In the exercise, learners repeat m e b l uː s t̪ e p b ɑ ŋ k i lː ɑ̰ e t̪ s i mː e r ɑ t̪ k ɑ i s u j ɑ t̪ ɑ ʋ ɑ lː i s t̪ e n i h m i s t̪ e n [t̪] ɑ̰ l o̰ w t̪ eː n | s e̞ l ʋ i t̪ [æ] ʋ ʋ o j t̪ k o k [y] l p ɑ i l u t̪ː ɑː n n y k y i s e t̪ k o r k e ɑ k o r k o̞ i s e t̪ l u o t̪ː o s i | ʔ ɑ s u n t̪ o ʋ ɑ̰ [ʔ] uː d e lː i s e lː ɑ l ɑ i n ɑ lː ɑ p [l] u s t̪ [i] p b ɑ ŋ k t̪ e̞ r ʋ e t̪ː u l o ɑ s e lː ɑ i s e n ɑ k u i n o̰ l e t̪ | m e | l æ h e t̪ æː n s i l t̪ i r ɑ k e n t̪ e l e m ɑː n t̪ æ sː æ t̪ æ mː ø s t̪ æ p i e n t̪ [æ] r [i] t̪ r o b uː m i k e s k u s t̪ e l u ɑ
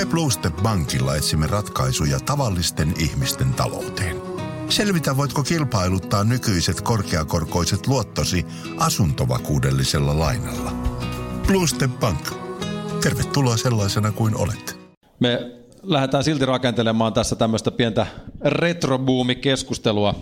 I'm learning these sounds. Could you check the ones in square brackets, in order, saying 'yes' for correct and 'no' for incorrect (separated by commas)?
yes, yes, no, no, yes, no, yes, no